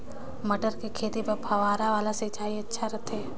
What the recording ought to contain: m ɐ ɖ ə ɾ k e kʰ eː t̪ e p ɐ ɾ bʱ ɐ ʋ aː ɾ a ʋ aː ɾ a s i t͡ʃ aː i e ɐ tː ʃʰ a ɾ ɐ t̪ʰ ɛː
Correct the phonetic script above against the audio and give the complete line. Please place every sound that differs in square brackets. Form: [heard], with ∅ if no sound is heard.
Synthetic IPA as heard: m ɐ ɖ ə ɾ k e kʰ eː t̪ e p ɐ ɾ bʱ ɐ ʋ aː ɾ a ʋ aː [l] a s [e] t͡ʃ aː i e ɐ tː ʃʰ a ɾ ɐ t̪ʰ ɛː